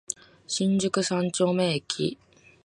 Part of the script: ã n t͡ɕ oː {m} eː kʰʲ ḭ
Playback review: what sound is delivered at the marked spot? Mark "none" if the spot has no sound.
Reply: m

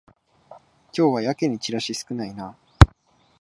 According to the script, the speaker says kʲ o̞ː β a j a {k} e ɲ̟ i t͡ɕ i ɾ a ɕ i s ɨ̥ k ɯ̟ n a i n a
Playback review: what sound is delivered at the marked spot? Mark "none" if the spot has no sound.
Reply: k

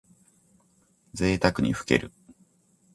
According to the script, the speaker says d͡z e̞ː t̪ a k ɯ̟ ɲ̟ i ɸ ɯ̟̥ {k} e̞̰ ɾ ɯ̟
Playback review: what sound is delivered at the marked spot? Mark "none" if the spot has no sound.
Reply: k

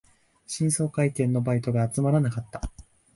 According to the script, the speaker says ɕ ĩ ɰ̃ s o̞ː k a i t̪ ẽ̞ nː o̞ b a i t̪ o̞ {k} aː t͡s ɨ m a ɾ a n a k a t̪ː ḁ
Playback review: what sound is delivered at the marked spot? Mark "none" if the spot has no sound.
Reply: ɡ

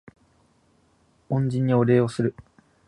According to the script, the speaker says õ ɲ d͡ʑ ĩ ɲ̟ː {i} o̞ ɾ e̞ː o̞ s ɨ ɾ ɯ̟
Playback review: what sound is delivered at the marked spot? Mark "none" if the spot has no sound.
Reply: i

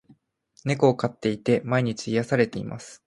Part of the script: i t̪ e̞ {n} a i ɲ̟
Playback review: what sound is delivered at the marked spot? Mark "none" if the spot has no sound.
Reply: m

